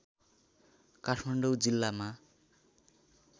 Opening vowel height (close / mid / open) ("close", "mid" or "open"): open